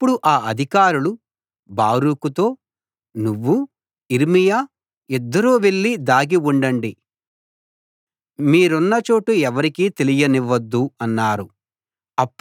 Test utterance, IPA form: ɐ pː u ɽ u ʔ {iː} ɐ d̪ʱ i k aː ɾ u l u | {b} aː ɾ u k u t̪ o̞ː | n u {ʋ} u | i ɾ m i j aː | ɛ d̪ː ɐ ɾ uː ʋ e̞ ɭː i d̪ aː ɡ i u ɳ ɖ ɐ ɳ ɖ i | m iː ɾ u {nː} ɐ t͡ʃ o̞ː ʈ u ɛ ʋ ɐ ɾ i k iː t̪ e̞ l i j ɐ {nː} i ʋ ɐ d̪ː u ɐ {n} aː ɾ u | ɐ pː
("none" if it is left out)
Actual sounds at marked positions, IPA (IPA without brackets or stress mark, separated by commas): aː, b, ʋː, nː, n, nː